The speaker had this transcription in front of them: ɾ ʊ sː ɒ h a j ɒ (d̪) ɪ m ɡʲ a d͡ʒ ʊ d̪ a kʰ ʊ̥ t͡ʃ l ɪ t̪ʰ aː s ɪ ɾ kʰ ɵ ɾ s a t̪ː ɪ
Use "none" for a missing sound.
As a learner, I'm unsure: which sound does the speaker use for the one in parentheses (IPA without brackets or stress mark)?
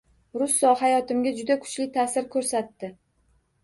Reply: t̪